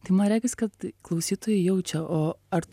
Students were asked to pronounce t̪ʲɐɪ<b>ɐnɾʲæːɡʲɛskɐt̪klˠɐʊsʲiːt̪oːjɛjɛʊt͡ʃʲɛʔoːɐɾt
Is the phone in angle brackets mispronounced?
yes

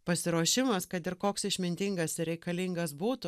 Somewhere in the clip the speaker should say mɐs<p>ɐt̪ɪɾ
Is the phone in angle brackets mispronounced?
yes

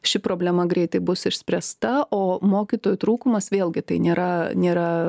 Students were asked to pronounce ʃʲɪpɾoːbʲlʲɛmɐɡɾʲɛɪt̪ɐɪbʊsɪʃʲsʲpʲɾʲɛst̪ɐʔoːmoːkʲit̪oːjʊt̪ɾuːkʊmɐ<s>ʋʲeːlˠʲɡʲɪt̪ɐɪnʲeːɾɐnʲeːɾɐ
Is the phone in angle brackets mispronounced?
no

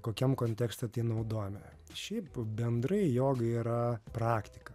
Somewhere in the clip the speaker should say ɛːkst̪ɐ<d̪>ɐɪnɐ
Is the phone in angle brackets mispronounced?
yes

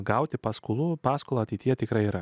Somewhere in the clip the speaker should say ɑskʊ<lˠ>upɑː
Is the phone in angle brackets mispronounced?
no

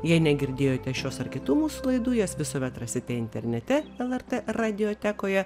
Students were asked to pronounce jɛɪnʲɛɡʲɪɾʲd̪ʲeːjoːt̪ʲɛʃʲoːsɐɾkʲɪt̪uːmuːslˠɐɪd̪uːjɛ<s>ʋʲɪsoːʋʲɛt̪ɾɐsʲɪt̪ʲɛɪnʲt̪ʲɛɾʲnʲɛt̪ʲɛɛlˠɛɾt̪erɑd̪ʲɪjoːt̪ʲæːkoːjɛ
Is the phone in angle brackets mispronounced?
no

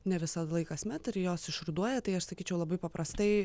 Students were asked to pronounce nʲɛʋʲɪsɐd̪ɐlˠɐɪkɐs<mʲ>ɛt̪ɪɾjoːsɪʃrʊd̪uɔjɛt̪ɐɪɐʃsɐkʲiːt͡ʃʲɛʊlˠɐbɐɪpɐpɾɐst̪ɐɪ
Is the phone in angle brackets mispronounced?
no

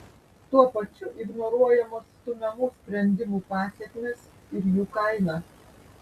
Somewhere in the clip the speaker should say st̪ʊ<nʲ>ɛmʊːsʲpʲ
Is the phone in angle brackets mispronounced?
yes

